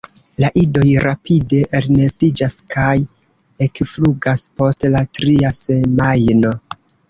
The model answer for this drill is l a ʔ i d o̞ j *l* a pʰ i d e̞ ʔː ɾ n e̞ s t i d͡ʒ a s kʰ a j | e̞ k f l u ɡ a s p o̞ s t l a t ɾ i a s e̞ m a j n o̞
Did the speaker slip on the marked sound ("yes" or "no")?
yes